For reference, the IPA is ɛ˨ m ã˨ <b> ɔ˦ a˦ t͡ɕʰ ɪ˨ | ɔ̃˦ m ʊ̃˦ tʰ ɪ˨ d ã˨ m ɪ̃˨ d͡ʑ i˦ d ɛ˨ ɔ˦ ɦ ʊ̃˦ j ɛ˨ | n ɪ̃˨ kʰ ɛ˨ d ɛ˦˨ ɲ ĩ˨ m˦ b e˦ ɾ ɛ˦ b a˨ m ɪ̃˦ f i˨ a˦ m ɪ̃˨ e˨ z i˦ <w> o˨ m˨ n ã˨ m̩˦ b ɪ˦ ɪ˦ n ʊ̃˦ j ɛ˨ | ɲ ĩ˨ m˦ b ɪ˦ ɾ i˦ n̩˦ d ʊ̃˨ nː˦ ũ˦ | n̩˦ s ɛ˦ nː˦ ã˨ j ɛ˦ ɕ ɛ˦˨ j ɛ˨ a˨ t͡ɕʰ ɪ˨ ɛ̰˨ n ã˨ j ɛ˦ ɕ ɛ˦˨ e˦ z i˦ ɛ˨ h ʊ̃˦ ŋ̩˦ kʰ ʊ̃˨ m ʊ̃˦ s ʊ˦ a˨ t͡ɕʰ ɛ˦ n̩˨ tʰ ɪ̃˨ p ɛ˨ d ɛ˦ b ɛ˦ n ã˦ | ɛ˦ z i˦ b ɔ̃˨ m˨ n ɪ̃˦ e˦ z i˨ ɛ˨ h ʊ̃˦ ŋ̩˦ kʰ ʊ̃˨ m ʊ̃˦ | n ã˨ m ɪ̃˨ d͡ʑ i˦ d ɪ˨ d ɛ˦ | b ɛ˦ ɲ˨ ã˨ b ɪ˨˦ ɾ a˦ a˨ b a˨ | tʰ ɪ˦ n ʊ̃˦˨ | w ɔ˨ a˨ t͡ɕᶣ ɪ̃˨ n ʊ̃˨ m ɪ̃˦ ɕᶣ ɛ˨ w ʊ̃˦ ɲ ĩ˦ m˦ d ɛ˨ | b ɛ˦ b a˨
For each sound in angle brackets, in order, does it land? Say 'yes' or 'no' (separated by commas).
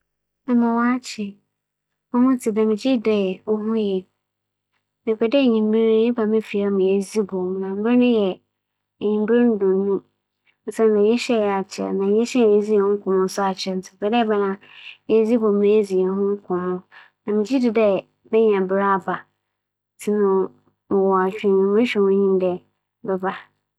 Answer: no, no